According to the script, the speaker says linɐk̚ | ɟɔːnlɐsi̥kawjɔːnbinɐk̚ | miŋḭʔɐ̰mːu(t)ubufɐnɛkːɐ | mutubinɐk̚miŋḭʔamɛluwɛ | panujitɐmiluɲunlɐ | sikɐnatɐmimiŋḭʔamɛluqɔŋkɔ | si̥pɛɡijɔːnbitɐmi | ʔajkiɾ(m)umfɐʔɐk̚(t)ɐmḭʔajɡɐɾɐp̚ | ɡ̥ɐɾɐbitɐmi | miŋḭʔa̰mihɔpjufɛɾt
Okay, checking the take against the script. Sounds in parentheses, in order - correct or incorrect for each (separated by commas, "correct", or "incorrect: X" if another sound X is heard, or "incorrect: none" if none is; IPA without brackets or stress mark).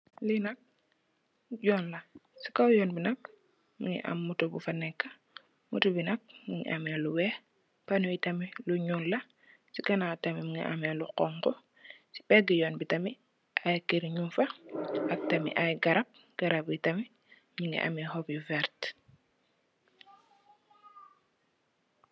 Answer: correct, incorrect: ɲ, correct